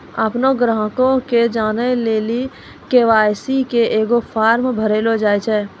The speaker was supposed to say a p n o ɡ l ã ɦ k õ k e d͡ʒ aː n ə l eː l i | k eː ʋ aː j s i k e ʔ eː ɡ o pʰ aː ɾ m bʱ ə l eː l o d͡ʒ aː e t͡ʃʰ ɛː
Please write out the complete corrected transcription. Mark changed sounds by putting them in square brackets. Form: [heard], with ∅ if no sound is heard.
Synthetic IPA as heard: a p n o ɡ [ɾ] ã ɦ k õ k e d͡ʒ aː n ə l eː l i | k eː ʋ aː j s i k e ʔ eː ɡ o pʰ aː ɾ m bʱ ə [ɾ] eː l o d͡ʒ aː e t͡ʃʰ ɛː